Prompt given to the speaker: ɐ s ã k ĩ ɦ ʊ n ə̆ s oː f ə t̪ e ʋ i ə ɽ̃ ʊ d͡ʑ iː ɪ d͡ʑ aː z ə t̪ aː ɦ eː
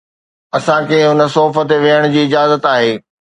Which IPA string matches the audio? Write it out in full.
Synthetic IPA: ɐ s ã k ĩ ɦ ʊ n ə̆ s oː f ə t̪ e ʋ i ə ɽ̃ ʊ d͡ʑ iː ɪ d͡ʑ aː z ə t̪ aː ɦ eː